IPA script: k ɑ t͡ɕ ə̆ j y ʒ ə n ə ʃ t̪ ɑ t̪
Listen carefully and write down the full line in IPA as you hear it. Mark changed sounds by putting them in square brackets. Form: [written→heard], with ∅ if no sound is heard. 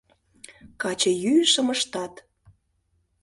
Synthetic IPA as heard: k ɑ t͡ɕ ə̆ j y [ʒ→ʃ] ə [n→m] ə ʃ t̪ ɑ t̪